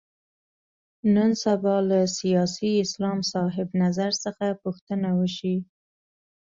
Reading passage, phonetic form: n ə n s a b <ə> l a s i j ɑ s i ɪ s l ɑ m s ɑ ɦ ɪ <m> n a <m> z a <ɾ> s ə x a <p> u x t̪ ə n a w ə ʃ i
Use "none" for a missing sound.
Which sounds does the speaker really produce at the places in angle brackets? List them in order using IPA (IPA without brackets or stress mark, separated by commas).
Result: ɑ, b, none, ɾ, p